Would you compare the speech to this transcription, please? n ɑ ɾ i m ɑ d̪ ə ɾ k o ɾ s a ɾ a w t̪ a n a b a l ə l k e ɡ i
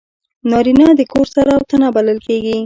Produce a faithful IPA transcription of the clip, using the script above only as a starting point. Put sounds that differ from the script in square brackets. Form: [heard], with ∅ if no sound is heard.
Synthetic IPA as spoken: n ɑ ɾ i [n] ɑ d̪ ə [∅] k o ɾ s a ɾ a w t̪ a n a b a l ə l k e ɡ i